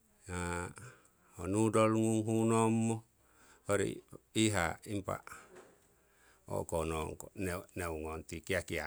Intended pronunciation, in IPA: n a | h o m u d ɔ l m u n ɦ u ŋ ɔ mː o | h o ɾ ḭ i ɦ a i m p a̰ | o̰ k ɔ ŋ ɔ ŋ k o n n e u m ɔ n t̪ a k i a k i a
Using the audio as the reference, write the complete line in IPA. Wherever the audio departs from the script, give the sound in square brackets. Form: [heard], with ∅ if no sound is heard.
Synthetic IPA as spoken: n a | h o [n] u d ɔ l [ŋ] u [ŋ] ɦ u [n] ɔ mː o | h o ɾ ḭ i ɦ a i m p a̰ | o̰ k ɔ [n] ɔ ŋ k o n n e u [ŋ] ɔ n t̪ [i] k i a k i a